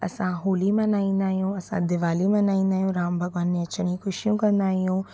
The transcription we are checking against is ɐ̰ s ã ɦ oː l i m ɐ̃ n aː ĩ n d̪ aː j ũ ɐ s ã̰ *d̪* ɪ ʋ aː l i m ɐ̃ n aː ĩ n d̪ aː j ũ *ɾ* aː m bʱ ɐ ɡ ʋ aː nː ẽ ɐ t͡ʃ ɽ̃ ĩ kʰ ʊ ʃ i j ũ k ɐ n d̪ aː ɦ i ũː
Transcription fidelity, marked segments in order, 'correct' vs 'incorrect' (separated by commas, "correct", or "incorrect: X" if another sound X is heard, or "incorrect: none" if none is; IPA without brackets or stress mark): correct, correct